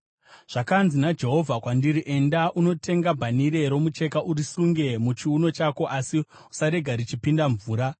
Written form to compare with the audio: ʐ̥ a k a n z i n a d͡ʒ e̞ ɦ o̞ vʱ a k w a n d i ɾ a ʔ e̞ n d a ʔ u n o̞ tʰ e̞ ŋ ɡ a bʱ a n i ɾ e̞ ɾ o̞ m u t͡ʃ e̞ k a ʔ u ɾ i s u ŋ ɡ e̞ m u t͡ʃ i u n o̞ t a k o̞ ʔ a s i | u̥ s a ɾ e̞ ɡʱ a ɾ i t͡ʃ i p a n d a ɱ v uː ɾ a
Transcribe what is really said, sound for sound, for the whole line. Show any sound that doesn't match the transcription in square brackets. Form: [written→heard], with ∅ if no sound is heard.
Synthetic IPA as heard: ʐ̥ a k a n z i n a d͡ʒ e̞ ɦ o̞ vʱ a k w a n d i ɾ [a→i] ʔ e̞ n d a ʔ u n o̞ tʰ e̞ ŋ ɡ a bʱ a n i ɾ e̞ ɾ o̞ m u t͡ʃ e̞ k a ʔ u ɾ i s u ŋ ɡ e̞ m u t͡ʃ i u n o̞ [t→t͡ʃ] a k o̞ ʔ a s i | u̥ s a ɾ e̞ ɡʱ a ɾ i t͡ʃ i p [a→i] n d a ɱ v uː ɾ a